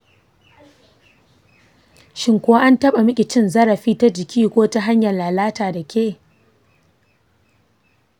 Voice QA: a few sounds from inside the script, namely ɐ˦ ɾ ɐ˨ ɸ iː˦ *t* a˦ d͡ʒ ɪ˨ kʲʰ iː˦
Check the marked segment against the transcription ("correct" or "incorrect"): correct